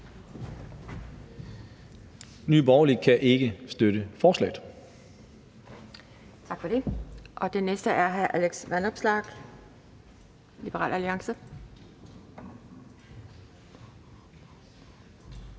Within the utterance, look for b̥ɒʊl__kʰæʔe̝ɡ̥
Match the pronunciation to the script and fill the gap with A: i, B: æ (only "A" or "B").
A